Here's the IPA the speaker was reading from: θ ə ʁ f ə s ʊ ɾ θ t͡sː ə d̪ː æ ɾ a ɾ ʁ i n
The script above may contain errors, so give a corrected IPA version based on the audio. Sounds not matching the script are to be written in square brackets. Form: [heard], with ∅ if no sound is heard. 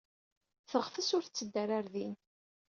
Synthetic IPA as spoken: θ ə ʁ f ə s ʊ ɾ θ t͡sː ə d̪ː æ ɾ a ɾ [ð] i n